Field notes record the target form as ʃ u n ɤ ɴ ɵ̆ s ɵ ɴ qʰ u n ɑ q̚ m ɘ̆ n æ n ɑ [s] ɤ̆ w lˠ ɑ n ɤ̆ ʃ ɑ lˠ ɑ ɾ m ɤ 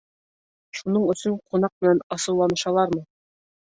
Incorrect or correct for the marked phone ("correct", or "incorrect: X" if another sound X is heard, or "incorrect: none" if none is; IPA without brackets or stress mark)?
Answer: correct